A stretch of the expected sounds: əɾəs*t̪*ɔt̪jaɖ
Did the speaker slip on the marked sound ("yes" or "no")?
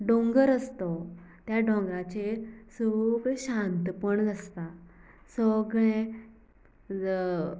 no